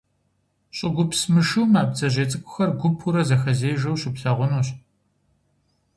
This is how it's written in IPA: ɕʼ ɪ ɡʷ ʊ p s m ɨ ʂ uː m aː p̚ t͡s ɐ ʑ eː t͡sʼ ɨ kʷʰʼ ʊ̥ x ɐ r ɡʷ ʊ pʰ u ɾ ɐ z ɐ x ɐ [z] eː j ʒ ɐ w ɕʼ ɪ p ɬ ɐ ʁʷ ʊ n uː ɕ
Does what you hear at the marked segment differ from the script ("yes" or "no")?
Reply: no